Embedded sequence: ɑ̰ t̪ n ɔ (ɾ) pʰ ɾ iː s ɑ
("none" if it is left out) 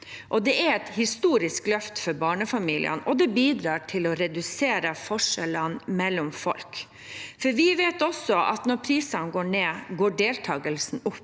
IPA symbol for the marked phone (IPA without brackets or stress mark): ɾ